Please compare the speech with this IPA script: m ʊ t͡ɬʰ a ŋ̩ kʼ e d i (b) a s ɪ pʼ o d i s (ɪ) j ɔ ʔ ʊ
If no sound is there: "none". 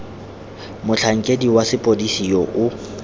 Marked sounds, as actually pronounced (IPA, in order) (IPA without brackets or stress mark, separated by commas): w, i